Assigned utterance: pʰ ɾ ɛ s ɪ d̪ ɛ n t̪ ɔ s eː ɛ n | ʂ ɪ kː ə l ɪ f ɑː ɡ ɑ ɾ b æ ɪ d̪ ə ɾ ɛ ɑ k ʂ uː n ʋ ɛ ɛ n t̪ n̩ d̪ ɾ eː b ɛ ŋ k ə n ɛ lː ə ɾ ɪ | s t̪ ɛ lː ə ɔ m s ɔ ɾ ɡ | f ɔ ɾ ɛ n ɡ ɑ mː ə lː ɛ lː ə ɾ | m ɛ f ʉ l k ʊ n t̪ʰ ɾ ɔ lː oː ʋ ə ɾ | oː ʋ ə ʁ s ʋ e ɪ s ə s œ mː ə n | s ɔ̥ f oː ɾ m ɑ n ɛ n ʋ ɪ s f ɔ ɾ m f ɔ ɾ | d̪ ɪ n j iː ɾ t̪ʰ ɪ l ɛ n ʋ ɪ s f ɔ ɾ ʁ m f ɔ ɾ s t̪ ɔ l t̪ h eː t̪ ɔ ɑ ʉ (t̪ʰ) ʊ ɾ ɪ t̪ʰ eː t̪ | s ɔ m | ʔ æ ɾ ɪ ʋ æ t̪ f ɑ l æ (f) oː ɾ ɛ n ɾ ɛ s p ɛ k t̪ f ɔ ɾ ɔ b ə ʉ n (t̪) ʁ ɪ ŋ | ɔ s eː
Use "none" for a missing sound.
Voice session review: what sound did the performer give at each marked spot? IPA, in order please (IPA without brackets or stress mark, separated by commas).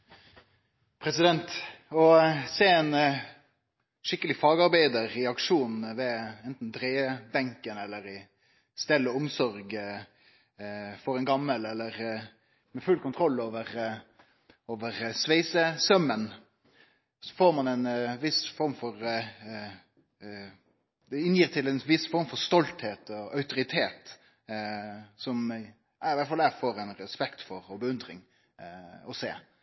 t̪, f, d̪